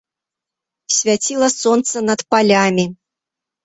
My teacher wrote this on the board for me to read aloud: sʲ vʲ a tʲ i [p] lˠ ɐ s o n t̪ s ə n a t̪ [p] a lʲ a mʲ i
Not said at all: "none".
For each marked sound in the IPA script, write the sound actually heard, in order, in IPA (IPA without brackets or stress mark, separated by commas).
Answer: none, p